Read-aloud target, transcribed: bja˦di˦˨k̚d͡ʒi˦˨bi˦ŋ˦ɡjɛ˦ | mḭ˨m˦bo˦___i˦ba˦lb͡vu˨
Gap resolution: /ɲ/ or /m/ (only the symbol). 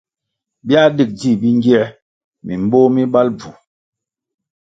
m